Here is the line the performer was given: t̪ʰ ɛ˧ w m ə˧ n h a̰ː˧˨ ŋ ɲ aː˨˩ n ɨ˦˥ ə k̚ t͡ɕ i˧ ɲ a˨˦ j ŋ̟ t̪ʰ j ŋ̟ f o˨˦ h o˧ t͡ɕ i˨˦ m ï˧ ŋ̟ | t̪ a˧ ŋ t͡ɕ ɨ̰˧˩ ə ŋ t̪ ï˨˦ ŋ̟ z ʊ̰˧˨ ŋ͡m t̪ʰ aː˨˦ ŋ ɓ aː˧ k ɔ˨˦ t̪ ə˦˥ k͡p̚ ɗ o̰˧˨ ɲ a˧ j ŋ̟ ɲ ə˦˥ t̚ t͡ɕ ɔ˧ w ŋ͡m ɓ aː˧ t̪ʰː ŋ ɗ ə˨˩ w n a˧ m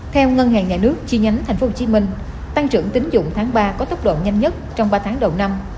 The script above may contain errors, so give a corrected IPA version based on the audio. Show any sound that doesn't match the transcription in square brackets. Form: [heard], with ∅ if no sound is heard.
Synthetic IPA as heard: t̪ʰ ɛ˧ w [ŋ] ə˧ n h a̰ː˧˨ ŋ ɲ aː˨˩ n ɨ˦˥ ə k̚ t͡ɕ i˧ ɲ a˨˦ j ŋ̟ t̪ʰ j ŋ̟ f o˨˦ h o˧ t͡ɕ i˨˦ m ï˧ ŋ̟ | t̪ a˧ ŋ t͡ɕ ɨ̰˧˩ ə ŋ t̪ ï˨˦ ŋ̟ z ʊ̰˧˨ ŋ͡m t̪ʰ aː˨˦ ŋ ɓ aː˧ k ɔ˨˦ t̪ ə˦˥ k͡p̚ ɗ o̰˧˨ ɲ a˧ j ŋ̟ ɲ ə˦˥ t̚ t͡ɕ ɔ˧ w ŋ͡m ɓ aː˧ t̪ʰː ŋ ɗ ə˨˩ w n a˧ m